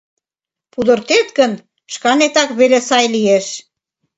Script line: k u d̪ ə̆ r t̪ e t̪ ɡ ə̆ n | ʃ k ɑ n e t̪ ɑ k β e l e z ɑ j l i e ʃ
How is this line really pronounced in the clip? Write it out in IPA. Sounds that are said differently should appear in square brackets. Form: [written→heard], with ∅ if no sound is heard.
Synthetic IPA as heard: [k→p] u d̪ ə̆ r t̪ e t̪ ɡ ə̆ n | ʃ k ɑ n e t̪ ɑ k β e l e [z→s] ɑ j l i e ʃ